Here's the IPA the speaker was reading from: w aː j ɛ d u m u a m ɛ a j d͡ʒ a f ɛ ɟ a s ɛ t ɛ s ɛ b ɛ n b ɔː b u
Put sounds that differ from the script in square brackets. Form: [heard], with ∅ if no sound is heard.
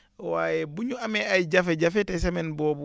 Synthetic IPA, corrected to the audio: w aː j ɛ [b] u [ɲ] u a m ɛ a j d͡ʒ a f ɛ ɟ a [f] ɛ t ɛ s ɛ [m] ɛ n b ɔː b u